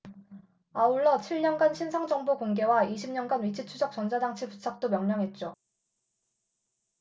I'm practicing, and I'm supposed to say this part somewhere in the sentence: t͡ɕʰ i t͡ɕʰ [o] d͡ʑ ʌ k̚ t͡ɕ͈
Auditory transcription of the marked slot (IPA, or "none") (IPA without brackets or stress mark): u